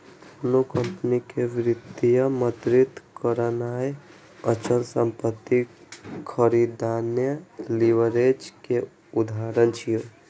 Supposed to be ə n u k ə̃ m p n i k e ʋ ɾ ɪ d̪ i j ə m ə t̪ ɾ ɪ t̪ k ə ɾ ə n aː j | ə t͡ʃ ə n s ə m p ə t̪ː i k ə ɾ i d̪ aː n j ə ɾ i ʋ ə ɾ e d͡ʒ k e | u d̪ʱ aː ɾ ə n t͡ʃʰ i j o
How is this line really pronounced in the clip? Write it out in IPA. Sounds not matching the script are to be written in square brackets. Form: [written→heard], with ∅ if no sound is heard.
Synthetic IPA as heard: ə n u k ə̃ m p n i k e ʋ ɾ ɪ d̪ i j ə m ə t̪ ɾ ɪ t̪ k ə ɾ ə n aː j | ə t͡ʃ ə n s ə m p ə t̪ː i [k→kʰ] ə ɾ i d̪ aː n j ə [ɾ→l] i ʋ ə ɾ e d͡ʒ k e | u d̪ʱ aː ɾ ə n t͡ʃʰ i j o

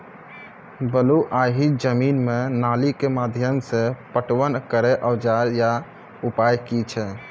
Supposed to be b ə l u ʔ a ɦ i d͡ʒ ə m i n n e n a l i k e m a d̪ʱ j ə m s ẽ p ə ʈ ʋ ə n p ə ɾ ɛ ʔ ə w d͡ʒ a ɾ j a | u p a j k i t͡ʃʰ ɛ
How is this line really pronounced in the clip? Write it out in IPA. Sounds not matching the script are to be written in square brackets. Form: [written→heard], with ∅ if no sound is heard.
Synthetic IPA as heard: b ə l u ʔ a ɦ i d͡ʒ ə m i n [n→m] e n a l i k e m a d̪ʱ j ə m s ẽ p ə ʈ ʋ ə n [p→k] ə ɾ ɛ ʔ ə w d͡ʒ a ɾ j a | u p a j k i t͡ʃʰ ɛ

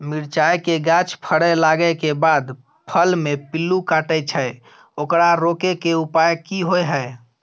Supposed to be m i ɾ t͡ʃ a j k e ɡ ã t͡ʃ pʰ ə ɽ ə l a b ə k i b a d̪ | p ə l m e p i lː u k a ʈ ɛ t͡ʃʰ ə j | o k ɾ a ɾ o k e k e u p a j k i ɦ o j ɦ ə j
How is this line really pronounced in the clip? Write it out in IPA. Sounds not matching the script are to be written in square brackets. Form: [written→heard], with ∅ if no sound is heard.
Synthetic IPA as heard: m i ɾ t͡ʃ a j k e ɡ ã t͡ʃ pʰ ə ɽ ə l a [b→ɡ] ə k [i→e] b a d̪ | [p→pʰ] ə l m e p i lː u k a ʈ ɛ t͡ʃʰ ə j | o k ɾ a ɾ o k e k e u p a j k i ɦ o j ɦ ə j

